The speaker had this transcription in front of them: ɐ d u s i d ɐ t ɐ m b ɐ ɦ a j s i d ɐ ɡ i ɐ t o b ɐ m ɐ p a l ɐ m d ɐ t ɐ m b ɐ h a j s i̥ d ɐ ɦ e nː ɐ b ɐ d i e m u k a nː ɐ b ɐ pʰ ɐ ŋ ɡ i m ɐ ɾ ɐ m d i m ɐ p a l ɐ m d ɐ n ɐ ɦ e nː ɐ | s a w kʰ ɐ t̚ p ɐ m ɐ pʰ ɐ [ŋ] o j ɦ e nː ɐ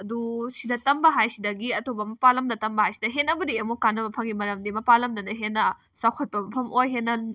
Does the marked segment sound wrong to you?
yes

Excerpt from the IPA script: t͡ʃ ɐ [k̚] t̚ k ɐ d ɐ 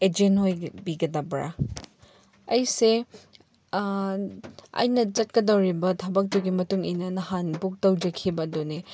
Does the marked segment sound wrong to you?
yes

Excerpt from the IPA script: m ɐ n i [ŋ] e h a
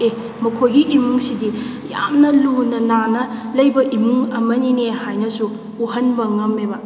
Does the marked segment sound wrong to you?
yes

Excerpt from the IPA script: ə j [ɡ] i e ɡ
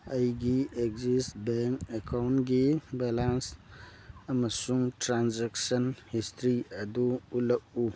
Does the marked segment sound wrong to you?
no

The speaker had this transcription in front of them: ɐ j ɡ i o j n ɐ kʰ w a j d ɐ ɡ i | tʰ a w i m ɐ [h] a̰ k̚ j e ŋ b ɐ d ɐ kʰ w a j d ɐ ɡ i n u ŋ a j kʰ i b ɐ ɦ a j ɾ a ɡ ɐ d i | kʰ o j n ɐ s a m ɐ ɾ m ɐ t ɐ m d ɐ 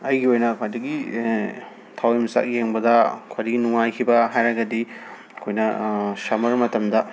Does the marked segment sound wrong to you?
yes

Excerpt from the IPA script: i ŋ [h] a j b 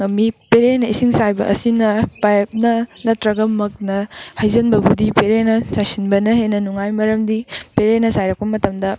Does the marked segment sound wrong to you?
yes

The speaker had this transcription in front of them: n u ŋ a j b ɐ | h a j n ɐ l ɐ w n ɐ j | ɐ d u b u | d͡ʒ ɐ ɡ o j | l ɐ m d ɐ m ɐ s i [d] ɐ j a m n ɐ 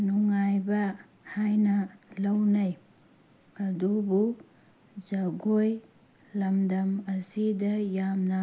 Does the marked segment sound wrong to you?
no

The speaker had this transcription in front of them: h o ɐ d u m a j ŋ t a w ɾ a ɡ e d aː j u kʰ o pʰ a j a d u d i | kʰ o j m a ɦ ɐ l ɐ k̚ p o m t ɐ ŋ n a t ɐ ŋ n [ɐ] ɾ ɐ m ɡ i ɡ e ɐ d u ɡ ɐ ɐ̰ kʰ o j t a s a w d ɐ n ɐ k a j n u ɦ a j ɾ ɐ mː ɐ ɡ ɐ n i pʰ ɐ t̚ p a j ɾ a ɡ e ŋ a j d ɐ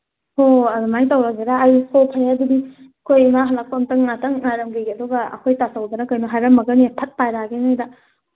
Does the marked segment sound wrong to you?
yes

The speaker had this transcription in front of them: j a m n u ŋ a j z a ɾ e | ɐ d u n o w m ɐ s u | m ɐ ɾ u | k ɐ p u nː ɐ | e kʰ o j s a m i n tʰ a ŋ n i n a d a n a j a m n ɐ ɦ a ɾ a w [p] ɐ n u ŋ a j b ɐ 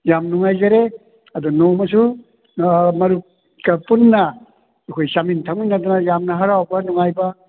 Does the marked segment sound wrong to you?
yes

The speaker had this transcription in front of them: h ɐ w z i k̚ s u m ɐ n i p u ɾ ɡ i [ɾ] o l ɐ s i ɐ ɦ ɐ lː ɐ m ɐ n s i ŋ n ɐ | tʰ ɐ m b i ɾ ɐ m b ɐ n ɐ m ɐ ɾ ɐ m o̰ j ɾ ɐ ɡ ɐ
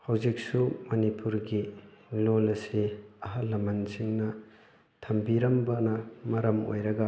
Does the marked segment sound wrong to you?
yes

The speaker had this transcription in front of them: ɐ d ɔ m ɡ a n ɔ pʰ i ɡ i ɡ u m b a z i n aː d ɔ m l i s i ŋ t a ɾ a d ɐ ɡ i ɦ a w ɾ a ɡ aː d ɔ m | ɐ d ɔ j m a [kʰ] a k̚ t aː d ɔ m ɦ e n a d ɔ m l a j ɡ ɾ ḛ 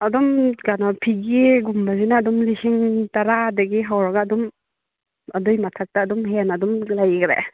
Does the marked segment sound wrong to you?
yes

